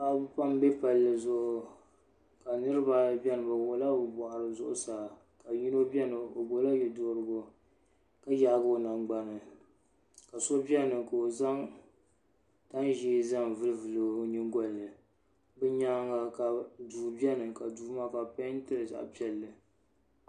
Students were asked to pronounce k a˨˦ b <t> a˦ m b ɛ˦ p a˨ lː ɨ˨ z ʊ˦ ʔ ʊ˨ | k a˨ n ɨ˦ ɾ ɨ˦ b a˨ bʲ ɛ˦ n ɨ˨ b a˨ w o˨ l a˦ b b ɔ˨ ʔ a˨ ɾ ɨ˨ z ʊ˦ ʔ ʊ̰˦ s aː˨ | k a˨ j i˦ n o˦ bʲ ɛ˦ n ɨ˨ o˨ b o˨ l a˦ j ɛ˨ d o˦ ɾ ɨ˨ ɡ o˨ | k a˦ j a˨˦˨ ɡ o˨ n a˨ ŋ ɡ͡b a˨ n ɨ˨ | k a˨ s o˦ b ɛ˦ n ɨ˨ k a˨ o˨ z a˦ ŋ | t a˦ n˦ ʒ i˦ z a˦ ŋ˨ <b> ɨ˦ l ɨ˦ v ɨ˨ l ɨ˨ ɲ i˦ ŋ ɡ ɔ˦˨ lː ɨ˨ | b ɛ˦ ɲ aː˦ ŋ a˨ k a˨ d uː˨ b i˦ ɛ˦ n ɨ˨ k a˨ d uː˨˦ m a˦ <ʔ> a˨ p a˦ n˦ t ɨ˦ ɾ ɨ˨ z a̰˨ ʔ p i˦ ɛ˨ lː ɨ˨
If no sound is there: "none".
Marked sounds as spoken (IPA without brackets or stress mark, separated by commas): p, v, k